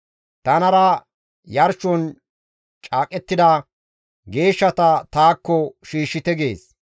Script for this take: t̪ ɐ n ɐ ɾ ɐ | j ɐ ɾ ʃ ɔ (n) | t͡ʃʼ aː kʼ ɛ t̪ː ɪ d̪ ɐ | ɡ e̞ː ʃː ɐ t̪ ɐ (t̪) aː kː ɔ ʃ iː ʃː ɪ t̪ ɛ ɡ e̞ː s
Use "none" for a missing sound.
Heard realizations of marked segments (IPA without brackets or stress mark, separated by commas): n, t̪